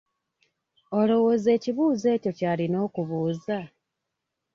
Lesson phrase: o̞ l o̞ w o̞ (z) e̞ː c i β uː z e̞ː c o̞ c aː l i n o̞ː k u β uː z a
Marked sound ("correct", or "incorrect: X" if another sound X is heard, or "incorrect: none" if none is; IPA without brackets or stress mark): correct